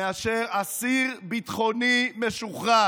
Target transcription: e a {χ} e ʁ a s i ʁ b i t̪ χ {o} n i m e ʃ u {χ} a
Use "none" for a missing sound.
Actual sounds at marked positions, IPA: ʃ, o, χ

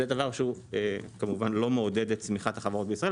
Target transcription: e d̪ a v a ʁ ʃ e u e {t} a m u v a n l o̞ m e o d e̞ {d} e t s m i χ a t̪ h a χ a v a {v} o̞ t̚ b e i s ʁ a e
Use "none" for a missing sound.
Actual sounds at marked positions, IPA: k, d, ʁ

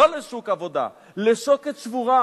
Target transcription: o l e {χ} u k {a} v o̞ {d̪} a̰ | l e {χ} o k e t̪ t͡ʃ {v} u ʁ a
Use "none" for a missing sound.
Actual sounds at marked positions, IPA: ʃ, a, d̪, ʃ, v

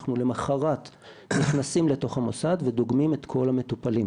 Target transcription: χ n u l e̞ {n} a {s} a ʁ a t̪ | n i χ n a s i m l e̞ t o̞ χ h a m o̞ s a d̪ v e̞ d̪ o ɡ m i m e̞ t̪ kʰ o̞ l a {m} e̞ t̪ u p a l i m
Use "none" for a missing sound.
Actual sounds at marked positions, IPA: m, χ, m

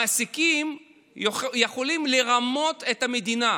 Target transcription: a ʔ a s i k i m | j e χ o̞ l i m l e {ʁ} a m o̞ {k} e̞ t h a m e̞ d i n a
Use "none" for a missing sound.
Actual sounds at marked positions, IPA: ʁ, t

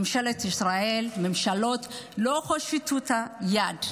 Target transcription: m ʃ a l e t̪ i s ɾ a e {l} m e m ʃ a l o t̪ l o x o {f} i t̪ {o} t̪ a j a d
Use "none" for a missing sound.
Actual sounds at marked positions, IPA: l, ʃ, u

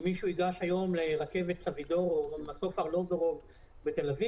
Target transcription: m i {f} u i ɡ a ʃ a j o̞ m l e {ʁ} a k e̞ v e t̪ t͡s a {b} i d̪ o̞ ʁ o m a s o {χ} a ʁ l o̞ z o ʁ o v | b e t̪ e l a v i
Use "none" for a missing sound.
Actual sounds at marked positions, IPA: ʃ, ʁ, v, f

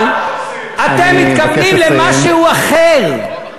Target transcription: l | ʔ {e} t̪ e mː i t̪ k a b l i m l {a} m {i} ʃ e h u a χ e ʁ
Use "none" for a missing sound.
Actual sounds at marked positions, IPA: a, e, a

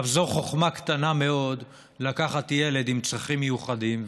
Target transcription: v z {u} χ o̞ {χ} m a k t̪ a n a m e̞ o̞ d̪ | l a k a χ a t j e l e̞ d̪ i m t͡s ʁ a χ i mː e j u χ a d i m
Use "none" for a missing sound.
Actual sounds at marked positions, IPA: o, χ

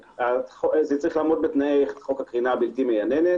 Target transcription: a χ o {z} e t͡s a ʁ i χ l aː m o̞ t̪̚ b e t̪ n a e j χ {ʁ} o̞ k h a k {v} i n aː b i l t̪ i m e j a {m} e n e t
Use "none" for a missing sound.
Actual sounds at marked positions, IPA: z, χ, ʁ, n

